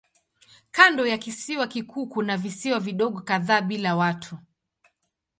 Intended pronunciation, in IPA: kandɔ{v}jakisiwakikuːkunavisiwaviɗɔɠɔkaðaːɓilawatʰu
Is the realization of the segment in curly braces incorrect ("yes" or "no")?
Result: yes